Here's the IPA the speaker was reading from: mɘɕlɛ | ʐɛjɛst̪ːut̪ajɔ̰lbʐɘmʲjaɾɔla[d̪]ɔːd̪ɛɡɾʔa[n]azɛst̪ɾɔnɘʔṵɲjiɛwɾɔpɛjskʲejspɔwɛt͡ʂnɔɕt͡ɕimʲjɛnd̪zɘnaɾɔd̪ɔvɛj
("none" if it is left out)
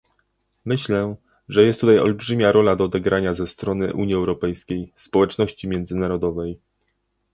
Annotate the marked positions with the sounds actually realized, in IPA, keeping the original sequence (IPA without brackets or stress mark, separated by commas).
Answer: d̪, ɲ